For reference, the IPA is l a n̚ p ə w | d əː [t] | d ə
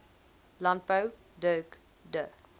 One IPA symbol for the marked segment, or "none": k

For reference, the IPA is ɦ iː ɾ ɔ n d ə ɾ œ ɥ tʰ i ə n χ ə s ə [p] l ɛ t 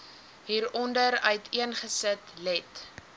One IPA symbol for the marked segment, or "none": t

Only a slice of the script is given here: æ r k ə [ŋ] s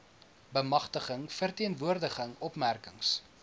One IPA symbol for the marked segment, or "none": ŋ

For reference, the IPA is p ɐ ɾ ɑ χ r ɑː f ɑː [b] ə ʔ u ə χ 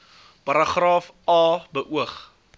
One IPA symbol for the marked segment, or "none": b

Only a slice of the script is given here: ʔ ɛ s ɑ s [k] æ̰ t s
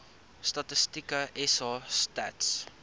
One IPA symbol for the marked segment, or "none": t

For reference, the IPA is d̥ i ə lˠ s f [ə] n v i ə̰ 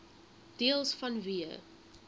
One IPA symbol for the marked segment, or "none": ɐ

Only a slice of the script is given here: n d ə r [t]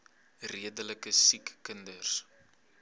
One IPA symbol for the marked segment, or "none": s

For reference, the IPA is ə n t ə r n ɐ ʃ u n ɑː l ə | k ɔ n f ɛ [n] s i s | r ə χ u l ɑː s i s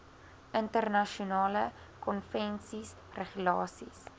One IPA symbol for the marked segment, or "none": n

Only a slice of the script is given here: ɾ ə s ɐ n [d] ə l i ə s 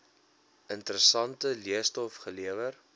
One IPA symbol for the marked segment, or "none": t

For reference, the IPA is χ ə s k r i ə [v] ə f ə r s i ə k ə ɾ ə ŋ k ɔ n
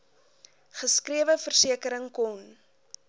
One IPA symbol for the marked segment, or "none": v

